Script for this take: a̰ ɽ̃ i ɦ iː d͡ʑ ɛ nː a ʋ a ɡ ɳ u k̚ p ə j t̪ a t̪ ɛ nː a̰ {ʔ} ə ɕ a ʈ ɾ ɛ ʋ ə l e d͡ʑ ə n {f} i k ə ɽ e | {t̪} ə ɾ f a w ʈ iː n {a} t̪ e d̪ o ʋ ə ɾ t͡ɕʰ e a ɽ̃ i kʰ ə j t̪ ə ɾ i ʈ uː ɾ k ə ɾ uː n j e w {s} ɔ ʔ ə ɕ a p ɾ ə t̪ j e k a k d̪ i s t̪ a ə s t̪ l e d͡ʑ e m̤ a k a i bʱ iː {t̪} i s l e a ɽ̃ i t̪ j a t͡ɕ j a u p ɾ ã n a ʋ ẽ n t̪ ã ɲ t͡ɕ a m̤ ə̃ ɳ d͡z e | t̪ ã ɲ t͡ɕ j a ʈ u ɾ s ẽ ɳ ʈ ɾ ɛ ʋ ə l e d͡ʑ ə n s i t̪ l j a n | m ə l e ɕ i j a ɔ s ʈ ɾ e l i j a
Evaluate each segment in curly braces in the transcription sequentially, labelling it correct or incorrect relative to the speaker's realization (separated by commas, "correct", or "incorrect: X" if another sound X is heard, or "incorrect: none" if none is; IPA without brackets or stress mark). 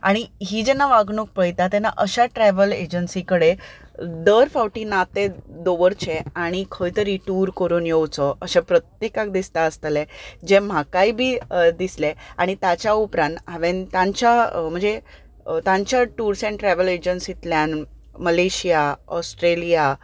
correct, incorrect: s, incorrect: d̪, correct, incorrect: t͡s, incorrect: d̪